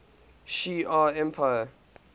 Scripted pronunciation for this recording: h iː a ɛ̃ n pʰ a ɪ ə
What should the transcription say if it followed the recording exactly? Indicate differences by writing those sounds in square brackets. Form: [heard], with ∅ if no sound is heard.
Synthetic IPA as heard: [ʃ] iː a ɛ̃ [m] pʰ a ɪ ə